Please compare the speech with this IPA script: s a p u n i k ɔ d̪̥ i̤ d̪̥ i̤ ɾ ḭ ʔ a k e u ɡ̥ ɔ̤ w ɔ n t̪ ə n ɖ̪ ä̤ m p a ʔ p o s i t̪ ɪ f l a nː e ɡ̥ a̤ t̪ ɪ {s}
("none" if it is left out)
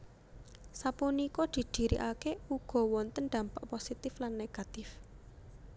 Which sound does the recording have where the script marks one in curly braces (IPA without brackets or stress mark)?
f